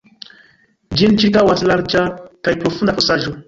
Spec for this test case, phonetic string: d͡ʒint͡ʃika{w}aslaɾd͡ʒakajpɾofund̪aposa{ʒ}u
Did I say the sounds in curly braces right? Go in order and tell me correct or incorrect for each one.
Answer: correct, correct

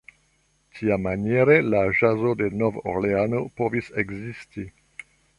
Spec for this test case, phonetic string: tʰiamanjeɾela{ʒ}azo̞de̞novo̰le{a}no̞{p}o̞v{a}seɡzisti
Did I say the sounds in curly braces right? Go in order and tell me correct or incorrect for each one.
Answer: correct, correct, correct, incorrect: i

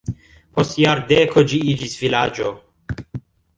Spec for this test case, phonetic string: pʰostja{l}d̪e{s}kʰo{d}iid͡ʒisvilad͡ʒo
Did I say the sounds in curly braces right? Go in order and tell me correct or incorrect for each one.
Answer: incorrect: ɾ, incorrect: none, incorrect: d͡ʒ

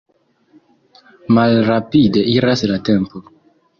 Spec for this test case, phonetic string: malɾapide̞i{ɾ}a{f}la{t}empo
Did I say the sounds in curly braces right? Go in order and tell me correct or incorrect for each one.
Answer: correct, incorrect: s, correct

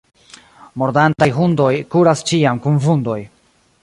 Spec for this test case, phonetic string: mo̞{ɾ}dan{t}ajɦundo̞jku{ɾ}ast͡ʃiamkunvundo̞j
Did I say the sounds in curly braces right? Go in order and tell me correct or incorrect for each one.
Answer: correct, correct, correct

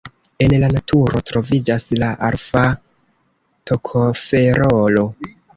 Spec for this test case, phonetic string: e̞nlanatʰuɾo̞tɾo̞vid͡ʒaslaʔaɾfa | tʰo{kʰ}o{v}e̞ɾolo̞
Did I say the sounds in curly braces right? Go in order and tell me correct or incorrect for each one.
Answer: correct, incorrect: f

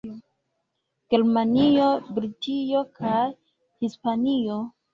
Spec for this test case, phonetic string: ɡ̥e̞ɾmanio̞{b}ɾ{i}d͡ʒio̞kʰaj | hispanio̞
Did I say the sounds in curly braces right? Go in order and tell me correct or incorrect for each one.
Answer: correct, correct

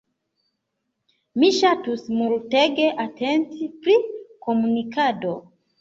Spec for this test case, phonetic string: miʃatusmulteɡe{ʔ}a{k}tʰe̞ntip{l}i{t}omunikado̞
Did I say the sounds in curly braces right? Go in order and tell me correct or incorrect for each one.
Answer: correct, incorrect: none, incorrect: ɾ, incorrect: k

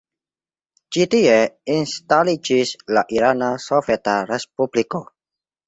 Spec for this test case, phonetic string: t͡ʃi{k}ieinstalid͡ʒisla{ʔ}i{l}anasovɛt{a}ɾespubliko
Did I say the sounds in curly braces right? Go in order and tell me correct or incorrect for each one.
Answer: incorrect: t, correct, incorrect: ɾ, correct

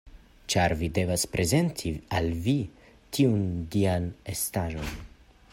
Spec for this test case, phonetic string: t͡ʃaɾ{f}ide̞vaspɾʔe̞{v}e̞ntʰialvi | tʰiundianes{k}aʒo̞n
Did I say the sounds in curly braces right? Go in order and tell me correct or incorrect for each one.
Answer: incorrect: v, incorrect: z, incorrect: t

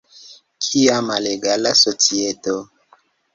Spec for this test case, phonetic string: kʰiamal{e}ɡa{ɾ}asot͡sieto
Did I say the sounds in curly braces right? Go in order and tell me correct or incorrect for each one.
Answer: correct, incorrect: l

